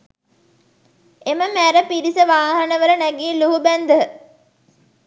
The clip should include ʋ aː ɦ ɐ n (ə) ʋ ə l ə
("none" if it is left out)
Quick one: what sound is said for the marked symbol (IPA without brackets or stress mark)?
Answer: ə